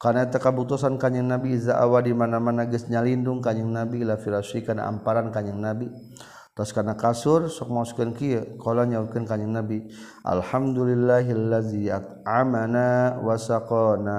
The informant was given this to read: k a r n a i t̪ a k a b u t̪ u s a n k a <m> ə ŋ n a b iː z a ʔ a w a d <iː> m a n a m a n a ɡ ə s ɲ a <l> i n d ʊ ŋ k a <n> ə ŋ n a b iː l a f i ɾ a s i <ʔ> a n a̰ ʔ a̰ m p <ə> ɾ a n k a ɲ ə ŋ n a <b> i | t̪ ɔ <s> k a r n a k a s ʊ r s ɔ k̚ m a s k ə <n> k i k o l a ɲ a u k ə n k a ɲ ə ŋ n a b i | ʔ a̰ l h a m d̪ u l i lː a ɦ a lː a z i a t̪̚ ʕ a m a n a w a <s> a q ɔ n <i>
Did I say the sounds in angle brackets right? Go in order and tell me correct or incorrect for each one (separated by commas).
incorrect, incorrect, correct, incorrect, incorrect, incorrect, correct, correct, correct, correct, incorrect